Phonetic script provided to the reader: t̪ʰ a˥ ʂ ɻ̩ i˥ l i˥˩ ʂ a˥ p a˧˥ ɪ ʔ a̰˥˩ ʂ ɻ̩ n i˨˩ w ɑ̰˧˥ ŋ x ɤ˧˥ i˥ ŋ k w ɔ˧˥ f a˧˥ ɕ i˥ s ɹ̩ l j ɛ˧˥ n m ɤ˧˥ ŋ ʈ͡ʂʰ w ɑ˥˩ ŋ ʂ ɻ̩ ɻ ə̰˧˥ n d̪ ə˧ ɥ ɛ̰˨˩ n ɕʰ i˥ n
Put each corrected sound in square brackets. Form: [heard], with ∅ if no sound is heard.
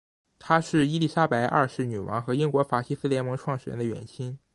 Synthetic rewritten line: t̪ʰ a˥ ʂ ɻ̩ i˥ l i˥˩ ʂ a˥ p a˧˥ ɪ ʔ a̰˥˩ ʂ ɻ̩ n [y˨˩] w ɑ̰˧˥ ŋ x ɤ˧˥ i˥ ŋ k w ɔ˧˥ f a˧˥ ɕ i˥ s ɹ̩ l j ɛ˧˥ n m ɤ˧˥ ŋ ʈ͡ʂʰ w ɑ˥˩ ŋ ʂ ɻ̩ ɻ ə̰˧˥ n d̪ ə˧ ɥ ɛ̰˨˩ n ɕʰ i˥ n